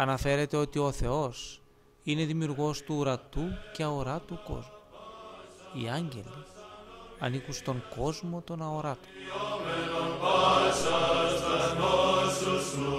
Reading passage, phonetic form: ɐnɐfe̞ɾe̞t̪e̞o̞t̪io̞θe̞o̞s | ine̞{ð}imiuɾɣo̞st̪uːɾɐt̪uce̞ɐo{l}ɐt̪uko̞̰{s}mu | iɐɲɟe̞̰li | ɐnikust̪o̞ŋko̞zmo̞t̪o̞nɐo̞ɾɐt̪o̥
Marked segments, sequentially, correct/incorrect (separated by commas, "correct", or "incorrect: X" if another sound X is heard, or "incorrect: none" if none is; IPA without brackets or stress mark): correct, incorrect: ɾ, incorrect: z